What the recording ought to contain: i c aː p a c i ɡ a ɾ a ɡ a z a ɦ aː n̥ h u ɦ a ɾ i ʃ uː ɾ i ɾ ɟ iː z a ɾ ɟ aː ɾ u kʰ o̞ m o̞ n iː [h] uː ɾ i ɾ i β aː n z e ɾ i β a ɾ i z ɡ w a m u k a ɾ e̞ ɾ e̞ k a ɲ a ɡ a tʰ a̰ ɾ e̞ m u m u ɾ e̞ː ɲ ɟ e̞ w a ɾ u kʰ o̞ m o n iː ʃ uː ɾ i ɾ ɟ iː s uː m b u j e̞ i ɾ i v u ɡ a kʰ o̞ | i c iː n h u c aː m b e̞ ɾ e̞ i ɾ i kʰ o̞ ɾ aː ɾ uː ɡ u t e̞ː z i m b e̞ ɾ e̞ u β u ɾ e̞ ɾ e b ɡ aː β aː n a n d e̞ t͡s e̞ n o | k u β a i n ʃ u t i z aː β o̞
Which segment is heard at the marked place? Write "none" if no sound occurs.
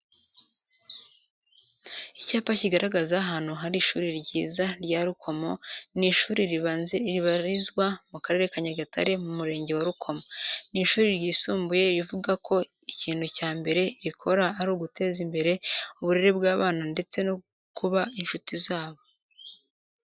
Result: ʃ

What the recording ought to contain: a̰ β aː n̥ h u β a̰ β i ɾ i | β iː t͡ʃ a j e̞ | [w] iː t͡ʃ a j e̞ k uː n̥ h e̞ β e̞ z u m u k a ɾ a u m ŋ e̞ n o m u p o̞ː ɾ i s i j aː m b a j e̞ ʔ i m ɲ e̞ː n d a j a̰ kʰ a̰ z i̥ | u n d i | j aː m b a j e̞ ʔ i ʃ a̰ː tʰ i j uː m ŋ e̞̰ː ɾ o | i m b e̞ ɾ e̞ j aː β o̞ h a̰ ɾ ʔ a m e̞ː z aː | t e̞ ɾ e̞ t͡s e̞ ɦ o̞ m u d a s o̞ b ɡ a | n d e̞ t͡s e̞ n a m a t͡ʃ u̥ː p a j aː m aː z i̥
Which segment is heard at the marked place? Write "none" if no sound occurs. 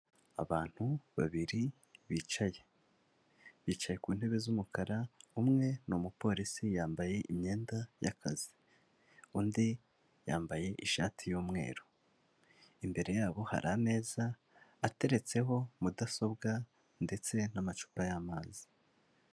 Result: β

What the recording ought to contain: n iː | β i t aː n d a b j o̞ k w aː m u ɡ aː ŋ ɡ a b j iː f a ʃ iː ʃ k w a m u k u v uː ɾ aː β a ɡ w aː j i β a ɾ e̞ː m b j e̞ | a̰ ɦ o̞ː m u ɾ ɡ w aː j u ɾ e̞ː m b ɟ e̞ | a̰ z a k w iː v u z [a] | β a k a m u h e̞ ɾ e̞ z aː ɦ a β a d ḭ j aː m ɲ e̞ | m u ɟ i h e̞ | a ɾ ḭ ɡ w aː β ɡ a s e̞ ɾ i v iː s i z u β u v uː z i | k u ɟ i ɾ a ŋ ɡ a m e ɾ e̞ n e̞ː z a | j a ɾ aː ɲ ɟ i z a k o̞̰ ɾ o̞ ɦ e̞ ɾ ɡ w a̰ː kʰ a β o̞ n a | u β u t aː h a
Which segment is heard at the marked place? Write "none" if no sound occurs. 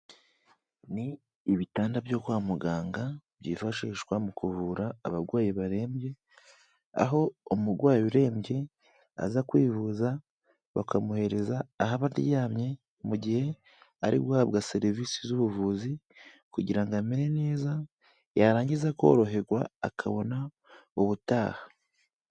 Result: a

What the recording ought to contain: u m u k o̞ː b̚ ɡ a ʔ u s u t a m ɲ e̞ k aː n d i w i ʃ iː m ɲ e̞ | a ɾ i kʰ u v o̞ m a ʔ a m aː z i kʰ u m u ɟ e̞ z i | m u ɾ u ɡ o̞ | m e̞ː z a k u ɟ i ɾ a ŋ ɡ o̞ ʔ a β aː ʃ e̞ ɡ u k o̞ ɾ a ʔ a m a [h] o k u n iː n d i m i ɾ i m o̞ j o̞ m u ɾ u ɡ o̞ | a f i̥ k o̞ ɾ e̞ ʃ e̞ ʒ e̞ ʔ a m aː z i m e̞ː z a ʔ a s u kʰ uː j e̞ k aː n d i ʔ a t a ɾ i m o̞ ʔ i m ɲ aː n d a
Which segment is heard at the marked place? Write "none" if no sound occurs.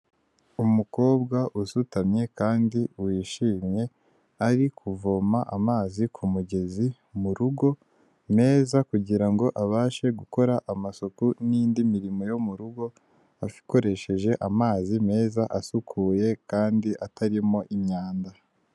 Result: s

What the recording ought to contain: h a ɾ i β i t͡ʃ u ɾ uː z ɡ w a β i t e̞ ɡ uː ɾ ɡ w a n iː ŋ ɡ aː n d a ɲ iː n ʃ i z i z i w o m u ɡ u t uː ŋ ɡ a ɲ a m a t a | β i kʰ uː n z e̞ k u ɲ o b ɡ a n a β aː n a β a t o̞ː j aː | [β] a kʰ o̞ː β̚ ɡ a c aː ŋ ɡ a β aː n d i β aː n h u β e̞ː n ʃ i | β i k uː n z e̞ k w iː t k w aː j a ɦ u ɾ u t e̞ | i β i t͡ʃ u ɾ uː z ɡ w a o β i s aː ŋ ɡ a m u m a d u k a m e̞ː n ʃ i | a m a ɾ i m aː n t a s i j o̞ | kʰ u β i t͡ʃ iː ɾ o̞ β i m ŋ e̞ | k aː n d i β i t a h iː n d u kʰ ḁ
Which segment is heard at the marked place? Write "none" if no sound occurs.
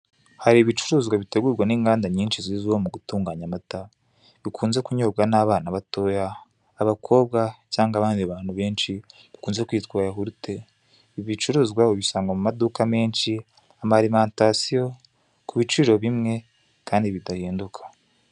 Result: β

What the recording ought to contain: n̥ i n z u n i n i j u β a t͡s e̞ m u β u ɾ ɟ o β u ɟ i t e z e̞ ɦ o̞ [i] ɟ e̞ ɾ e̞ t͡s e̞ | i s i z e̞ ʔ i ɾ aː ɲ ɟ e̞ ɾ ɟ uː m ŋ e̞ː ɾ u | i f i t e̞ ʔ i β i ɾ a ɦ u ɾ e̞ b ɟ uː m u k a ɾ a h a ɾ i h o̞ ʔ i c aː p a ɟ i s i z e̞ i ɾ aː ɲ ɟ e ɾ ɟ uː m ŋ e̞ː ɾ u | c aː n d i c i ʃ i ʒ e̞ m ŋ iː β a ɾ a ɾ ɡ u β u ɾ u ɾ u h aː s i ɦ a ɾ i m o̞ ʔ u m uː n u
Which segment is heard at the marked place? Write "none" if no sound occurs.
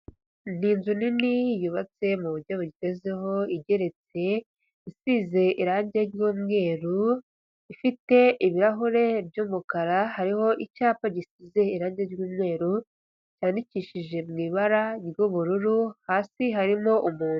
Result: i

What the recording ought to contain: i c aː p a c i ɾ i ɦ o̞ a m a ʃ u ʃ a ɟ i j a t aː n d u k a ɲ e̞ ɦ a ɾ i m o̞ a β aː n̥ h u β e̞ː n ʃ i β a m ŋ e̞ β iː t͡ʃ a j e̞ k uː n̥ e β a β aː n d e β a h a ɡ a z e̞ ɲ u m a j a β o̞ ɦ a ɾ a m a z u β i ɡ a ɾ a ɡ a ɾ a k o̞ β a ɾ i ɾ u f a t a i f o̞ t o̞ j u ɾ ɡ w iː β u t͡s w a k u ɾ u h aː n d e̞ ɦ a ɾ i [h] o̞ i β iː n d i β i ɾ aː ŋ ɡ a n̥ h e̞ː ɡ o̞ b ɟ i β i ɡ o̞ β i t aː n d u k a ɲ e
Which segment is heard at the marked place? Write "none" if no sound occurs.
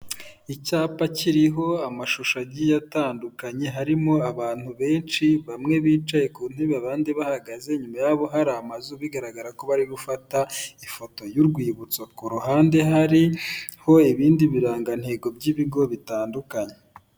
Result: h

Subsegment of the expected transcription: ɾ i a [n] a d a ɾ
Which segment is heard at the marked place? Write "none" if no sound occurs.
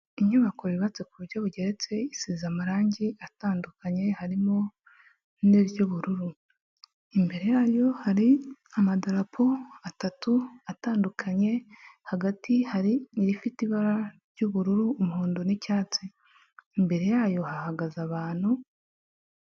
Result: m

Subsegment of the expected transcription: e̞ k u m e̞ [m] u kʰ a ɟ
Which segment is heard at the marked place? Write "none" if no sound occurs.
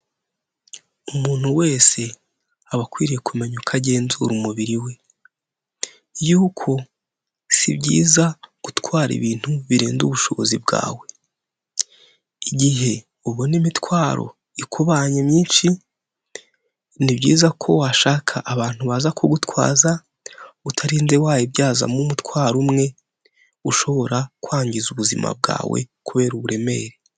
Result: ɲ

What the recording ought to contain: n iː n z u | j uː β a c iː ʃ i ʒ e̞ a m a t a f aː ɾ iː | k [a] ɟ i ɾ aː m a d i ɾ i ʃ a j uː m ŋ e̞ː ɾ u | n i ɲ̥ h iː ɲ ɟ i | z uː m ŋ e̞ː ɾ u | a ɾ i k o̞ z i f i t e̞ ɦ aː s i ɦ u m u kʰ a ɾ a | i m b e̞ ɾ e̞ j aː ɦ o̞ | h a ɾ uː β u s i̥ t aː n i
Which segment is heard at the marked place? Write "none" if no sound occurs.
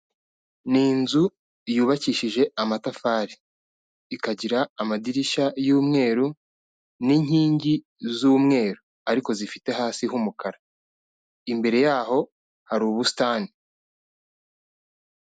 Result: a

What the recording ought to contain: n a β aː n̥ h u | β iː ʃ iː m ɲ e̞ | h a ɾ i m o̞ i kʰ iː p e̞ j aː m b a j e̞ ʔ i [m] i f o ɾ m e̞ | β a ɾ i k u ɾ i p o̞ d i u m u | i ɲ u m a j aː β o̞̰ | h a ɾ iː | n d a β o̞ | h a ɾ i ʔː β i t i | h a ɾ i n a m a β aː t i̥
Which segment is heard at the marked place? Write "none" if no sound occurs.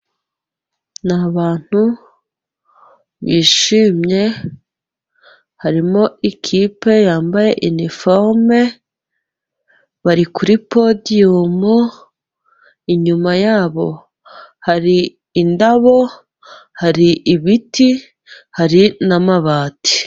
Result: n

